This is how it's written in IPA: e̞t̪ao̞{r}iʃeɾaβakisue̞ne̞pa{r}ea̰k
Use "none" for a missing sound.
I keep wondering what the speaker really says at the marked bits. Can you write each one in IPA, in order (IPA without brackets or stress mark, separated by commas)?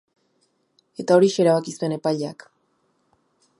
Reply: ɾ, ʎ